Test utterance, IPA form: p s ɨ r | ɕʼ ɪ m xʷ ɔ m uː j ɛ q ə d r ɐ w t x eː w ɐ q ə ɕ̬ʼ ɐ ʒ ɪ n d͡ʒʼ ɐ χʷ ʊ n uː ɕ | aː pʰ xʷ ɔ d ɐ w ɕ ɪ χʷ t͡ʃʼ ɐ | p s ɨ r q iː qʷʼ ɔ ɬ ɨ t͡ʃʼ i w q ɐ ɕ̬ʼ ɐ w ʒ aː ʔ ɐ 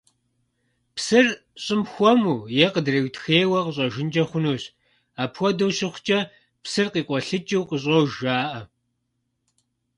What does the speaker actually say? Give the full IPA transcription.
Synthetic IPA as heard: p s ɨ r | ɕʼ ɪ m xʷ ɔ m uː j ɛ q ə d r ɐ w t x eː w ɐ q ə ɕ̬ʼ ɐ ʒ ɪ n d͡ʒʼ ɐ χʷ ʊ n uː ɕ | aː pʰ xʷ ɔ d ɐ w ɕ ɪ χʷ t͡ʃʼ ɐ | p s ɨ r q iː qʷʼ ɔ ɬ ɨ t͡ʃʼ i w q ə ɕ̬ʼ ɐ w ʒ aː ʔ ɐ